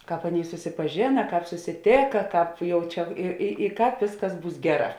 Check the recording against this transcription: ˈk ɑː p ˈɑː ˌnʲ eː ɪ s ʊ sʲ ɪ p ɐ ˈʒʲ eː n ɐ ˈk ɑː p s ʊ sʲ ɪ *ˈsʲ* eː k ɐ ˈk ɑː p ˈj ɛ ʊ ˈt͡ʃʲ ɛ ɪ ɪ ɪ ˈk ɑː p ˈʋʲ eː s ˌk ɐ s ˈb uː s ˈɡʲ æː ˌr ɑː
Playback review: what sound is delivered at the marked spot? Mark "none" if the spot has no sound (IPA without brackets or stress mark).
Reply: tʲ